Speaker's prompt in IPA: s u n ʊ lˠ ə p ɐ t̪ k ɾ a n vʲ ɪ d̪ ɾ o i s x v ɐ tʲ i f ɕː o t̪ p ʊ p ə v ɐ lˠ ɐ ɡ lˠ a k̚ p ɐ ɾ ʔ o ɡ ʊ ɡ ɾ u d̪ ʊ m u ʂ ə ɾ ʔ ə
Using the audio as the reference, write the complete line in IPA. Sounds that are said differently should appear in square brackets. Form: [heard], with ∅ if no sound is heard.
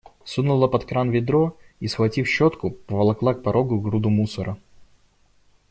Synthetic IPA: s u n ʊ lˠ ə p ɐ t̪ k ɾ a n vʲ ɪ d̪ ɾ o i s x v ɐ tʲ i f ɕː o t̪ [k] ʊ p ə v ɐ lˠ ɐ [k] lˠ a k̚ p ɐ ɾ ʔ o ɡ ʊ ɡ ɾ u d̪ ʊ m u [s] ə ɾ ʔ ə

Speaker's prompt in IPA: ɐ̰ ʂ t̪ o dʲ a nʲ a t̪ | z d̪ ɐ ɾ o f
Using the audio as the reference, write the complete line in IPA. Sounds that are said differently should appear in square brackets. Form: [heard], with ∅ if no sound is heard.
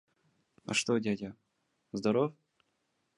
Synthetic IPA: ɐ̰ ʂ t̪ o dʲ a [dʲ] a [∅] | z d̪ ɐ ɾ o f

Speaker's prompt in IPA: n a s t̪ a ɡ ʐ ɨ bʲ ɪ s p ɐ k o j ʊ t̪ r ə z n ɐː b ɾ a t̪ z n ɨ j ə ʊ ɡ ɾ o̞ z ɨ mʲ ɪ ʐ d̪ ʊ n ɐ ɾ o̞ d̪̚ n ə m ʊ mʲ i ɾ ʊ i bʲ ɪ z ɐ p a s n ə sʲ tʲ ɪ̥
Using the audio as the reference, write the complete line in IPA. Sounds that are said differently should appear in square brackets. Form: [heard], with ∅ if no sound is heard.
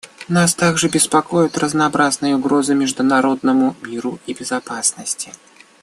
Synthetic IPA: n a s t̪ a ɡ ʐ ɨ bʲ ɪ s p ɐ k o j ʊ t̪ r ə z n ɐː b ɾ a [∅] z n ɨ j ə ʊ ɡ ɾ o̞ z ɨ mʲ ɪ ʐ d̪ ʊ n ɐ ɾ o̞ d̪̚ n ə m ʊ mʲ i ɾ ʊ i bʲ ɪ z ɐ p a s n ə sʲ tʲ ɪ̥

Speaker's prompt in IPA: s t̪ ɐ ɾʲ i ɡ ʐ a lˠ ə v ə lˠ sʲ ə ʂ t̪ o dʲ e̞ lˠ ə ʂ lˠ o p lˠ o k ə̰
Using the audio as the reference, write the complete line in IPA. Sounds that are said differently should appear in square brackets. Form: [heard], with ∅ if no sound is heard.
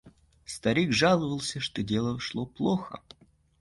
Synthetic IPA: s t̪ ɐ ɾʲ i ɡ ʐ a lˠ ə v ə lˠ sʲ ə ʂ t̪ o dʲ e̞ lˠ ə ʂ lˠ o p lˠ o [x] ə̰

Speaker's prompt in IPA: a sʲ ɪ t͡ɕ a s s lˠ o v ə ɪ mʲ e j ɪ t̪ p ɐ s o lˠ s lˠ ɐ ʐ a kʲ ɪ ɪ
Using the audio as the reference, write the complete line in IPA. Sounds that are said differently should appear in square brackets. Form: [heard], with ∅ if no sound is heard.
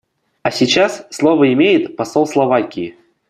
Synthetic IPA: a sʲ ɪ t͡ɕ a s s lˠ o v ə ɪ mʲ e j ɪ t̪ p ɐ s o lˠ s lˠ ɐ [v] a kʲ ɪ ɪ

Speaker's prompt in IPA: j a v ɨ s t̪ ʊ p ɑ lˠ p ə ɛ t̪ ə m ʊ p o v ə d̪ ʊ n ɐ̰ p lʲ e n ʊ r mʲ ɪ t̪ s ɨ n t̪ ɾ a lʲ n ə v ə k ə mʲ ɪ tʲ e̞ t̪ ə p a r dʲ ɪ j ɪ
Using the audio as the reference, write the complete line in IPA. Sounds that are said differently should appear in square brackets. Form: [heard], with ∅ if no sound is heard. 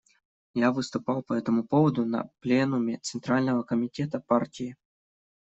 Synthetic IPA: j a v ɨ s t̪ ʊ p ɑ lˠ p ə ɛ t̪ ə m ʊ p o v ə d̪ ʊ n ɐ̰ p lʲ e n ʊ [∅] mʲ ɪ t̪ s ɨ n t̪ ɾ a lʲ n ə v ə k ə mʲ ɪ tʲ e̞ t̪ ə p a r [tʲ] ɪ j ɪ

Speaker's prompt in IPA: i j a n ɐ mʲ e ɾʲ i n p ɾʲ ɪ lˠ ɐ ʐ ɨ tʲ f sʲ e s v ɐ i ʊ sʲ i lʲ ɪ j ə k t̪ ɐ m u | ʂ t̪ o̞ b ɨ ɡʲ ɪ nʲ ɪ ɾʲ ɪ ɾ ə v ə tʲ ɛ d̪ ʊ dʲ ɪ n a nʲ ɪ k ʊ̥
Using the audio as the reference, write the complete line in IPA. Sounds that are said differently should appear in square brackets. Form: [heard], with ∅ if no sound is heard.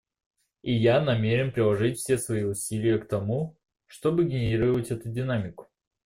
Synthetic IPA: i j a n ɐ mʲ e ɾʲ [ɪ] n p ɾʲ ɪ lˠ ɐ ʐ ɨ tʲ f sʲ e s v ɐ i ʊ sʲ i lʲ ɪ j ə k t̪ ɐ m u | ʂ t̪ o̞ b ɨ ɡʲ ɪ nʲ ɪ ɾʲ [i] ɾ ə v ə tʲ ɛ [t̪] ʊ dʲ ɪ n a [mʲ] ɪ k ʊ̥

